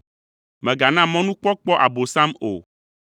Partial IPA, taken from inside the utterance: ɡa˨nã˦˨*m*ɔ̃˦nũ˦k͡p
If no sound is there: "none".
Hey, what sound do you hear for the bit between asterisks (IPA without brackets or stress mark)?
m